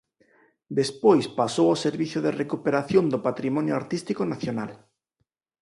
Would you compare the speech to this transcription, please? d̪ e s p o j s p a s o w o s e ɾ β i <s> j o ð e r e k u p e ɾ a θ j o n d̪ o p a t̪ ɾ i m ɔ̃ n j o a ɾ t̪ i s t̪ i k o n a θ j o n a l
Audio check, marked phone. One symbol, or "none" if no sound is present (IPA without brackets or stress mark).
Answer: θ